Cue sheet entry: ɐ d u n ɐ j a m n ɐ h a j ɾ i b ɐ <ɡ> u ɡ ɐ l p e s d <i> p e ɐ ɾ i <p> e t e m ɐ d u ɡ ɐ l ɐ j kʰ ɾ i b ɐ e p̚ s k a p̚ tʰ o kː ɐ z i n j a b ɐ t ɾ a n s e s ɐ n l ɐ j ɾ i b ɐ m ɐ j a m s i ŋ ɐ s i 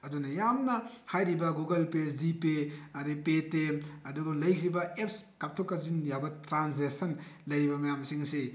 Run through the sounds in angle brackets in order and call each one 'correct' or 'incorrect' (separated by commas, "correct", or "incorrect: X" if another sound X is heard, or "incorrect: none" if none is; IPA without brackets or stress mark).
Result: correct, correct, correct